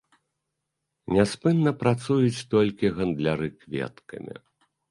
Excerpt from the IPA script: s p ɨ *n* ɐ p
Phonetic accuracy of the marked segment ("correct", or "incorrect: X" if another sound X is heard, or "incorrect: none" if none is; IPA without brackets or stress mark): incorrect: nː